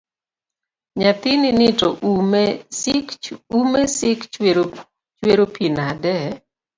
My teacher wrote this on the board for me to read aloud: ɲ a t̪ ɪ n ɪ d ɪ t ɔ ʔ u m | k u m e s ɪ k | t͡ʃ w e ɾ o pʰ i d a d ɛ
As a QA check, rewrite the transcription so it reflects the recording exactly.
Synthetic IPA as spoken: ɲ a t̪ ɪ n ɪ n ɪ t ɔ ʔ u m | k u m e s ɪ k | t͡ʃ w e ɾ o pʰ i n a d ɛ